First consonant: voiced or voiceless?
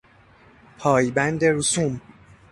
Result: voiceless